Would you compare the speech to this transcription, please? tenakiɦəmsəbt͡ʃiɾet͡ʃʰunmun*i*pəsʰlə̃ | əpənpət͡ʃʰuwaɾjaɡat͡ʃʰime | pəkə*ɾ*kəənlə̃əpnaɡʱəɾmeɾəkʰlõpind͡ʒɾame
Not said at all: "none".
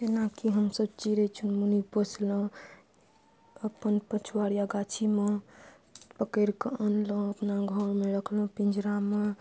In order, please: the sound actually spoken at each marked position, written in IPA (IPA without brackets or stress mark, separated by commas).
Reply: i, ɾ